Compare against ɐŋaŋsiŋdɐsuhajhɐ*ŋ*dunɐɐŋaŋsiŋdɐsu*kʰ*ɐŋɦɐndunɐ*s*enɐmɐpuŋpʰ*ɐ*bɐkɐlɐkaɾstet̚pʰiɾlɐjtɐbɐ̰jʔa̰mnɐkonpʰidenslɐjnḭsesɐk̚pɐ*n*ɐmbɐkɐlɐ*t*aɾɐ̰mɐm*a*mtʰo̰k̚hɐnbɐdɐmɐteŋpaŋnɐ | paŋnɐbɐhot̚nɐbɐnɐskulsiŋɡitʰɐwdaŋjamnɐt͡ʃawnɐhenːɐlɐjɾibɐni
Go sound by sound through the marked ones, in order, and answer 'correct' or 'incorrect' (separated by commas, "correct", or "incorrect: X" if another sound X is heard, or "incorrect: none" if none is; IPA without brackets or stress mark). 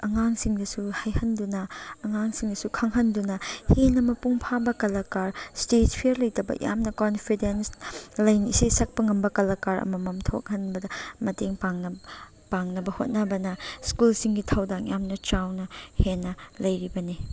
incorrect: n, correct, incorrect: h, incorrect: a, incorrect: ŋ, incorrect: k, incorrect: ɐ